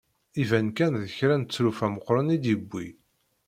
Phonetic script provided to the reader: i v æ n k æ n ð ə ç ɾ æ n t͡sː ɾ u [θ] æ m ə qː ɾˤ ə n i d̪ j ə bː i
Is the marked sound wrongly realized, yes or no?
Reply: yes